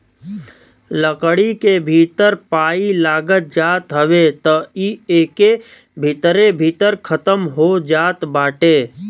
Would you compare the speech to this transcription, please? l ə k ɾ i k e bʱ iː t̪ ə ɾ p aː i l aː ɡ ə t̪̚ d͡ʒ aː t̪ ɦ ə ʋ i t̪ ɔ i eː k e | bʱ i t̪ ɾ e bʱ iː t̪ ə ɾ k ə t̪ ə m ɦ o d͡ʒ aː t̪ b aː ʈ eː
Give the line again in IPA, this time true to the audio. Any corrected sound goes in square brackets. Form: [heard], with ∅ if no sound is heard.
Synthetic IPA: l ə k [ɽ] i k e bʱ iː t̪ ə ɾ p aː i l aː ɡ ə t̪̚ d͡ʒ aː t̪ ɦ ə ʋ [e] t̪ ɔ i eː k e | bʱ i t̪ ɾ e bʱ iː t̪ ə ɾ [kʰ] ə t̪ ə m ɦ o d͡ʒ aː t̪ b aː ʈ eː